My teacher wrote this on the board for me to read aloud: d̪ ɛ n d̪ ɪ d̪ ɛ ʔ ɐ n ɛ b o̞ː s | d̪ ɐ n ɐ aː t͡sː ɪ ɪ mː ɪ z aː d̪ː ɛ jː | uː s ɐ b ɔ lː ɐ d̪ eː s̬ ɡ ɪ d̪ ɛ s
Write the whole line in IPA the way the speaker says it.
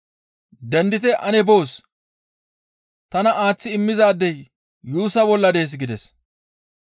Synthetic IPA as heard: d̪ ɛ n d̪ ɪ t̪ ɛ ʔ ɐ n ɛ b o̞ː s | t̪ ɐ n ɐ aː t͡sː ɪ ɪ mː ɪ z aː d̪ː ɛ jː | uː s ɐ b ɔ lː ɐ d̪ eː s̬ ɡ ɪ d̪ ɛ s